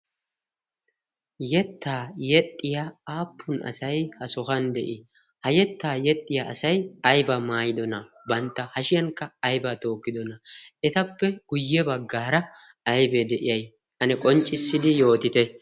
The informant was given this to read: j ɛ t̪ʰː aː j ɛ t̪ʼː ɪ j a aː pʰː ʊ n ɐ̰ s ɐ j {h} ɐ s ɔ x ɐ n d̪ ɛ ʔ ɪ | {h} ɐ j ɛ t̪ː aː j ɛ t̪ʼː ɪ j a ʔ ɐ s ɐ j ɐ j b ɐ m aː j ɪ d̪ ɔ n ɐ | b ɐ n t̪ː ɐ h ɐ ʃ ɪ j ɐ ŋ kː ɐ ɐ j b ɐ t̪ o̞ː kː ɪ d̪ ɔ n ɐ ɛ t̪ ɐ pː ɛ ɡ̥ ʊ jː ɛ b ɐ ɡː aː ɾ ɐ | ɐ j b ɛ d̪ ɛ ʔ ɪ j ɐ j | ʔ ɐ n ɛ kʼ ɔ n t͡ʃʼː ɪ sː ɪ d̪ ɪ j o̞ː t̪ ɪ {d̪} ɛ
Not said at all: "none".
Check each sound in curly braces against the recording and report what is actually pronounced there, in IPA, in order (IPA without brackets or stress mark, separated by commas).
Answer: h, h, t̪